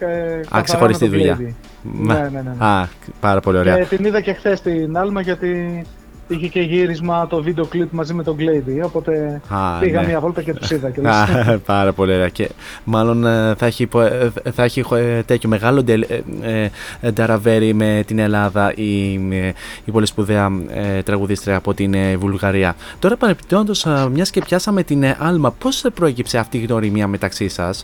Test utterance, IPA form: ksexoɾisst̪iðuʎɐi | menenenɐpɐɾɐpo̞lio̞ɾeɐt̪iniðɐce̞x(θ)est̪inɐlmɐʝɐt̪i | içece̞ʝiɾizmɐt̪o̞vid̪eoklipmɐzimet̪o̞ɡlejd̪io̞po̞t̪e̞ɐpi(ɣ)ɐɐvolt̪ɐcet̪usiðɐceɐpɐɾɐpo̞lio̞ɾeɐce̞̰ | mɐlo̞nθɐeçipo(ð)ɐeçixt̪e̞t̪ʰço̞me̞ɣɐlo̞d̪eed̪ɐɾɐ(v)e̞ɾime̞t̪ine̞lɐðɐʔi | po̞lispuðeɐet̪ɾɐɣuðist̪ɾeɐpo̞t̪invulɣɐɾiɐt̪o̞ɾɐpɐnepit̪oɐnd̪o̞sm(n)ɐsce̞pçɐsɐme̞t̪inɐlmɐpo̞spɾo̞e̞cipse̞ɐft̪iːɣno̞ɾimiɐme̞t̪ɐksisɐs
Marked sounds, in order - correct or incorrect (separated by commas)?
correct, correct, incorrect, correct, incorrect